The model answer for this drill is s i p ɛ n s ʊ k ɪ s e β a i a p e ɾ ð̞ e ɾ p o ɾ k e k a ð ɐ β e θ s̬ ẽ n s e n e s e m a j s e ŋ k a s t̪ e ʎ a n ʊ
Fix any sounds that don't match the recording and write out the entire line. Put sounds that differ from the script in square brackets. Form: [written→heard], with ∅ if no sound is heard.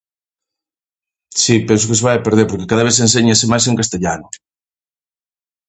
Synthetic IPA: s i p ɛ n s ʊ k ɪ s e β a [i→j] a p e ɾ ð̞ e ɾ p o ɾ k e k a ð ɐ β e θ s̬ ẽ n s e [n→ɲ] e s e m a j s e ŋ k a s t̪ e ʎ a n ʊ